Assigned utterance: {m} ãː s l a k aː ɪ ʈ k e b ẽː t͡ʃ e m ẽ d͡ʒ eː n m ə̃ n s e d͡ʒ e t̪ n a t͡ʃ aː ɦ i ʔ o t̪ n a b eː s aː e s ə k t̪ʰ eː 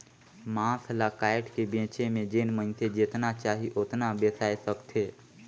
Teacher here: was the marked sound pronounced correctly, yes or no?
yes